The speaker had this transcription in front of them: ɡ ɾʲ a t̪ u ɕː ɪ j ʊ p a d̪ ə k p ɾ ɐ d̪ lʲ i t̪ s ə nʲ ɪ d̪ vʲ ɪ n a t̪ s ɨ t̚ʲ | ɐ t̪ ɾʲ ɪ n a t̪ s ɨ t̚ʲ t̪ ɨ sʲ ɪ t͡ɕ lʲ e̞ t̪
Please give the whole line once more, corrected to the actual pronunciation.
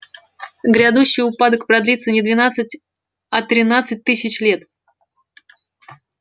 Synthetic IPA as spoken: ɡ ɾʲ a d̪ u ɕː ɪ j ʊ p a d̪ ə k p ɾ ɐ d̪ lʲ i t̪ s ə nʲ ɪ d̪ vʲ ɪ n a t̪ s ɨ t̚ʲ | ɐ t̪ ɾʲ ɪ n a t̪ s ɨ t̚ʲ t̪ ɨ sʲ ɪ t͡ɕ lʲ e̞ t̪